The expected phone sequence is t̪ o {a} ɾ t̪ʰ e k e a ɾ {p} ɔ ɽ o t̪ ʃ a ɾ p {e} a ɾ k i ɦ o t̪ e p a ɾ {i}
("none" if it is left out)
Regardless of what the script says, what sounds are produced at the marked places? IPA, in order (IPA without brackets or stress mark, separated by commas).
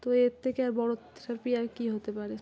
e, b, i, e